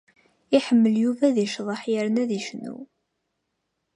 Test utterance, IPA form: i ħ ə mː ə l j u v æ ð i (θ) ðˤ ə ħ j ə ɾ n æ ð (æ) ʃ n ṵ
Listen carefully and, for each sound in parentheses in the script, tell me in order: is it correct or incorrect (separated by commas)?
incorrect, incorrect